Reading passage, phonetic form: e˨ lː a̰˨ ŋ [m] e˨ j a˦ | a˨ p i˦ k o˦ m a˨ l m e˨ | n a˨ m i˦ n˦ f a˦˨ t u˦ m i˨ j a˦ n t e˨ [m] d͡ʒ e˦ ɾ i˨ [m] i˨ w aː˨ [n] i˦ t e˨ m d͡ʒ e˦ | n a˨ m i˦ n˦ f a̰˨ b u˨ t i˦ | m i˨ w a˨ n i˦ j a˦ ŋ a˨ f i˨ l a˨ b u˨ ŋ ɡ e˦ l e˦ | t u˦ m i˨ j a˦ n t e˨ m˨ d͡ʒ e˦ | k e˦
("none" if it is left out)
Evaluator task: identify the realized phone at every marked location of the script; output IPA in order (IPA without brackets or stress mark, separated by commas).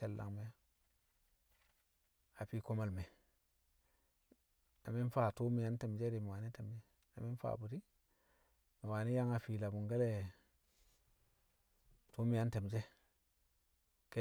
m, m, m, n